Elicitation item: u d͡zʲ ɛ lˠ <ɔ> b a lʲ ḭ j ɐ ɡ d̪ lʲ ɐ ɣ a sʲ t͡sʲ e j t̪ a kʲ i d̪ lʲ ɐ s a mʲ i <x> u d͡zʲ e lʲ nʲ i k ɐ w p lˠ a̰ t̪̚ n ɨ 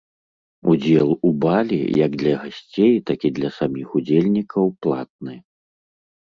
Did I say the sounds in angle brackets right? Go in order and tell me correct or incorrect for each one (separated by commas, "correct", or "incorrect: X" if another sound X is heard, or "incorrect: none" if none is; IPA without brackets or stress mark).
incorrect: u, correct